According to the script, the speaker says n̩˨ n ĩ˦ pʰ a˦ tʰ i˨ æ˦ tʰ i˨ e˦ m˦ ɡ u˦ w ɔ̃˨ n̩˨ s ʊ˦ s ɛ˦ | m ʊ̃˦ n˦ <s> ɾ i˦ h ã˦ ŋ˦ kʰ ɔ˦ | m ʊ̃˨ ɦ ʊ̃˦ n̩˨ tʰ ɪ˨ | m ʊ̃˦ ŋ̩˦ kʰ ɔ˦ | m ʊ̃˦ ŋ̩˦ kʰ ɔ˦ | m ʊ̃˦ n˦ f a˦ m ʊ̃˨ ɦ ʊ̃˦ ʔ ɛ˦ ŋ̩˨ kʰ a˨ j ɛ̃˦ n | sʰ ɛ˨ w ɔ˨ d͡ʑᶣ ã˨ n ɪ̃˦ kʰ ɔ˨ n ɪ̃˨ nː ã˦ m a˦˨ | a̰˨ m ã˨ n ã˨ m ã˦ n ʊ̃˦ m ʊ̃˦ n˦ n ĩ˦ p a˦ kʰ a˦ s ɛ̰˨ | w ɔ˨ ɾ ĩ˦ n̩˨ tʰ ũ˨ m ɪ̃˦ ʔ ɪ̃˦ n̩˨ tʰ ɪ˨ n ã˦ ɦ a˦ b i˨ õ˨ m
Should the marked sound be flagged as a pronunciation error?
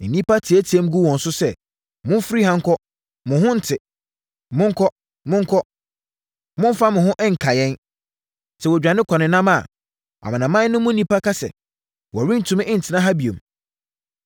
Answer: yes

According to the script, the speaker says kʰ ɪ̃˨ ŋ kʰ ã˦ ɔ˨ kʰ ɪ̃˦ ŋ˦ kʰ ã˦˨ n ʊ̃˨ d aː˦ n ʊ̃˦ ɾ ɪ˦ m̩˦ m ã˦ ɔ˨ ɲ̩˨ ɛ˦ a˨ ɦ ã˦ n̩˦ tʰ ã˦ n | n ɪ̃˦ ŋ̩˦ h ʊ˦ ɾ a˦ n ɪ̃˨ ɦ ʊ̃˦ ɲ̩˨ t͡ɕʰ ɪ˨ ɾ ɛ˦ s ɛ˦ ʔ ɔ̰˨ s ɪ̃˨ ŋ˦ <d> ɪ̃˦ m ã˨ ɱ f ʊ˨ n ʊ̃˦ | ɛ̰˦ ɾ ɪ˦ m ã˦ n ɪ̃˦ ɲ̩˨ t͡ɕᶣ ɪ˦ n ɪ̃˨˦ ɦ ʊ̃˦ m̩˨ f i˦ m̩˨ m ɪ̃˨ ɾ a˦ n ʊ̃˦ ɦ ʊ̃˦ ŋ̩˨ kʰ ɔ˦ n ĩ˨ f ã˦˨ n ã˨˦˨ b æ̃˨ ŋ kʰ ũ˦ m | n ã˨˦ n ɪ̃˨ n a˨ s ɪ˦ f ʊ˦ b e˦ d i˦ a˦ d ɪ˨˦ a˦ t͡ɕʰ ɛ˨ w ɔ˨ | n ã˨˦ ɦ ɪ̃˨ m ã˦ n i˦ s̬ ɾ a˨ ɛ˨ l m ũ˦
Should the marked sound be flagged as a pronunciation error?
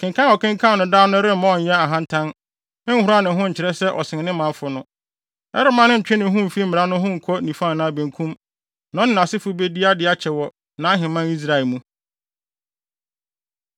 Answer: yes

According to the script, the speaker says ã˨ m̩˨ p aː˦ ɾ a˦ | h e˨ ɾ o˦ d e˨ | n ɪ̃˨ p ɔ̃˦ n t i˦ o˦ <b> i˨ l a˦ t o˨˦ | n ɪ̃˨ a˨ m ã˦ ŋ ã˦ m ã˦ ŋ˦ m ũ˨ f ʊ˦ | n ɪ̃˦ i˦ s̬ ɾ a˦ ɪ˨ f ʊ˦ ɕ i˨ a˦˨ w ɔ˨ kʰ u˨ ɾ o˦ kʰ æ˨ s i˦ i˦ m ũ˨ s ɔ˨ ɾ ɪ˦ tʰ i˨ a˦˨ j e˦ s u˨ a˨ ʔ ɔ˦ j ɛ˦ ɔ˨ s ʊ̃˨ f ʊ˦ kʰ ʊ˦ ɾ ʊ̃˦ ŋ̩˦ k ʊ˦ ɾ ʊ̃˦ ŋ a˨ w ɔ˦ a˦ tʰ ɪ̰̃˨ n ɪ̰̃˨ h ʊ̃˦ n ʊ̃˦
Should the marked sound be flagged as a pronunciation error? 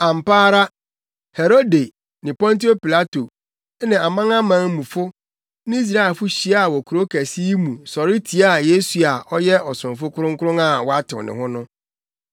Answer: yes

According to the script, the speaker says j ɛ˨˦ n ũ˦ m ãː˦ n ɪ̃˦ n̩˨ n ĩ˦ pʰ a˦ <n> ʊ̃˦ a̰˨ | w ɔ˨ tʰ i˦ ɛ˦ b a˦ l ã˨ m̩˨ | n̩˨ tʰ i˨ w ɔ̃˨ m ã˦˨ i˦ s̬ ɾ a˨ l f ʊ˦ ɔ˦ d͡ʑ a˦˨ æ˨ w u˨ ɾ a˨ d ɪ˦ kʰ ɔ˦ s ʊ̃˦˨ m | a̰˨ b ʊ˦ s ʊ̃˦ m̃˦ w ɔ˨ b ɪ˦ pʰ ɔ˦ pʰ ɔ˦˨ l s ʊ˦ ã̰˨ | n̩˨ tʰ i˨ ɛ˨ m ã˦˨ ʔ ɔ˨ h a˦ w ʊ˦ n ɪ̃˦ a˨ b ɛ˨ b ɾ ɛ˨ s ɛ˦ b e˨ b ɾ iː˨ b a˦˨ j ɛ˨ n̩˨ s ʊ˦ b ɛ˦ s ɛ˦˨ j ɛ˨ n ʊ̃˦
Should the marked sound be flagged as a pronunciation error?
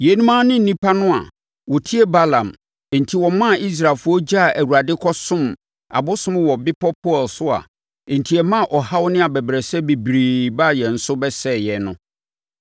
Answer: no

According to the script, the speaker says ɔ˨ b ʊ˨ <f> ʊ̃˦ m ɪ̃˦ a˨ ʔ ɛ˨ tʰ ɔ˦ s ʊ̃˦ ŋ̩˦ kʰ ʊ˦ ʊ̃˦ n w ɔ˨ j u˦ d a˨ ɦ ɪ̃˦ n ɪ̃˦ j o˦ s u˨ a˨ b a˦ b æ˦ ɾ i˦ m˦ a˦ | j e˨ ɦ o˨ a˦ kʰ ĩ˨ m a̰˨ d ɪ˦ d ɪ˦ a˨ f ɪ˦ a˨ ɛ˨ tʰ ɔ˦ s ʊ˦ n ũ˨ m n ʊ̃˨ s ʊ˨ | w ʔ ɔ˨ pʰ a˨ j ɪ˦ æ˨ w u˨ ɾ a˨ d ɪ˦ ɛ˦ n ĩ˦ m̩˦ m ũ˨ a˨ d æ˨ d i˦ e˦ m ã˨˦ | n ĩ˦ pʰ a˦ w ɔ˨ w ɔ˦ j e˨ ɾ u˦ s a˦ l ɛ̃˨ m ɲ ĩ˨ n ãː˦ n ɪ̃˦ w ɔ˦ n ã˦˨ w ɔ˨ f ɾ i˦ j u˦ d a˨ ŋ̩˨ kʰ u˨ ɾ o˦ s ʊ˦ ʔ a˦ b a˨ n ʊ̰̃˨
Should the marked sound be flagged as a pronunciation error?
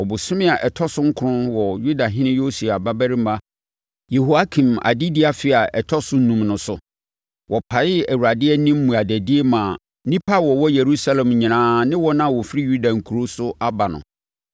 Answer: yes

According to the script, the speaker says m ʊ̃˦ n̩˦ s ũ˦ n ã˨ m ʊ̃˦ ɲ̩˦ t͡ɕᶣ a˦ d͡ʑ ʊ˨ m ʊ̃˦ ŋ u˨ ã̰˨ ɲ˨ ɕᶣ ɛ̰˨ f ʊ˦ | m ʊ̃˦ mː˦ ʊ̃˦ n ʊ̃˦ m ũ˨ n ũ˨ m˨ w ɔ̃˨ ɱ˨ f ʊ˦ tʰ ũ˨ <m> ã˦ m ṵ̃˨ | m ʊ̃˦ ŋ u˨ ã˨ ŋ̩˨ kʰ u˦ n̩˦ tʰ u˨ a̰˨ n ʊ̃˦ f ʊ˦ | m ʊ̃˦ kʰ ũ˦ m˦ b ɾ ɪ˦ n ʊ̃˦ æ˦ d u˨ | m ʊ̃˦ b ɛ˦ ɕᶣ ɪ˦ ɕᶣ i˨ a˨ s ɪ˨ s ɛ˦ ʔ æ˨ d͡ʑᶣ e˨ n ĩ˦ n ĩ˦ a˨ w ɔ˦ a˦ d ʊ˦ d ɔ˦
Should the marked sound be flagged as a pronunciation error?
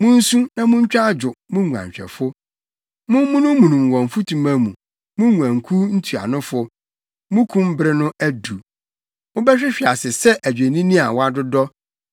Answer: no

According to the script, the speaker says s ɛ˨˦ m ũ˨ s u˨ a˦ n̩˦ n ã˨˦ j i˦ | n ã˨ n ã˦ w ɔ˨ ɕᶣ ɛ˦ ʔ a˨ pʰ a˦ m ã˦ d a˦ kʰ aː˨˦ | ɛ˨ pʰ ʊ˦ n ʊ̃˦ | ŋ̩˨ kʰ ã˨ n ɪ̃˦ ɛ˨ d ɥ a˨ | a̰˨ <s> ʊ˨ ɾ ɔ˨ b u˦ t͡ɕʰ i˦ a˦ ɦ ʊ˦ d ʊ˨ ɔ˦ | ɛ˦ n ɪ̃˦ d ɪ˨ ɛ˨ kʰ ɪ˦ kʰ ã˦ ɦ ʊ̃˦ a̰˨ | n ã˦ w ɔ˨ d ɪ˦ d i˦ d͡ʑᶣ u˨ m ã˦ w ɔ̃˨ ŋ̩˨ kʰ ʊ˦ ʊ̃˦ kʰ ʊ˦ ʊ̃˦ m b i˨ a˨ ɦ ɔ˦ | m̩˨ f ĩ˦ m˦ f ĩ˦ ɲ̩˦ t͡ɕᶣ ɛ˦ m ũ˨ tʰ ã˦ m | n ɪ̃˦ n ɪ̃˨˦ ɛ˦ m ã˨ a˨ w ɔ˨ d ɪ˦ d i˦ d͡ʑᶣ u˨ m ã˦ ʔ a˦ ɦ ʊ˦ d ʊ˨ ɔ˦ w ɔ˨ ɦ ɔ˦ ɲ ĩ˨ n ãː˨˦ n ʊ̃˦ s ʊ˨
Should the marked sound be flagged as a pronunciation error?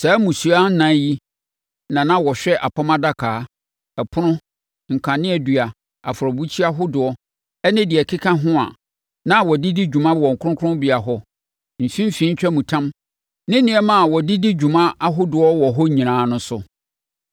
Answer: yes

